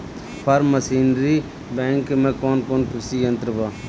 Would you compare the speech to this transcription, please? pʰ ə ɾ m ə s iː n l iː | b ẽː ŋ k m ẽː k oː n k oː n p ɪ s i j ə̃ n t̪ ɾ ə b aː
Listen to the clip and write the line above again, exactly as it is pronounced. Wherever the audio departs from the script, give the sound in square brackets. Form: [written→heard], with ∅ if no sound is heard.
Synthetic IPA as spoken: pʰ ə ɾ m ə s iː n [l→ɾ] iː | b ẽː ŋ k m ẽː k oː n k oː n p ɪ s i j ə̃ n t̪ ɾ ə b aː